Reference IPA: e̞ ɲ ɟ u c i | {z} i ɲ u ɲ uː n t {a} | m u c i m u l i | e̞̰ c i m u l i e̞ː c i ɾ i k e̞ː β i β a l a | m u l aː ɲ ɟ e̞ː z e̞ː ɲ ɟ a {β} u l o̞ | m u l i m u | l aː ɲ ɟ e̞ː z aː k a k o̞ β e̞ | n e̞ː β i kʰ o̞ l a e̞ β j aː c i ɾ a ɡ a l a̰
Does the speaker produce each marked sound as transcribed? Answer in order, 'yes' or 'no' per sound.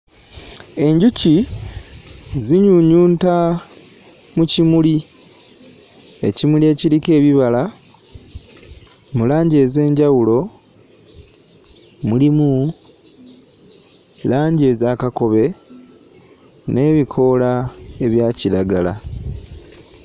yes, yes, no

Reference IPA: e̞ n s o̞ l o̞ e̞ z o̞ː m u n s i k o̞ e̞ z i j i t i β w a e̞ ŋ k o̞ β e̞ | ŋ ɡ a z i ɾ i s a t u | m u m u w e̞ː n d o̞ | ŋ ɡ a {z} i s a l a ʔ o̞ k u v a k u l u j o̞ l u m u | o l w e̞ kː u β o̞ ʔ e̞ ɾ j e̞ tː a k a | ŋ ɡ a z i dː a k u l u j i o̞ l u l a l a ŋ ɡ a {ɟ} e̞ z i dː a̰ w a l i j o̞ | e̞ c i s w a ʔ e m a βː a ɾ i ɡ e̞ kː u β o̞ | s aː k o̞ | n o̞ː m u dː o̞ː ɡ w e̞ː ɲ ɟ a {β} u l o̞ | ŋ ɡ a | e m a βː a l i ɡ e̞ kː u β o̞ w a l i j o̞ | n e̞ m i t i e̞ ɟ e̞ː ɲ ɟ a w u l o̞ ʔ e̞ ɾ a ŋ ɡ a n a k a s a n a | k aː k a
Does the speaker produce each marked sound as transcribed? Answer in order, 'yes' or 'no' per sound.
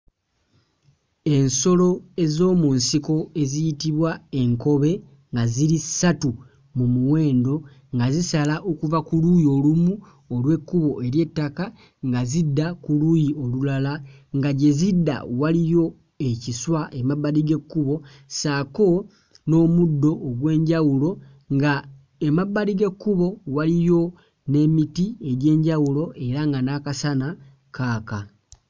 yes, yes, no

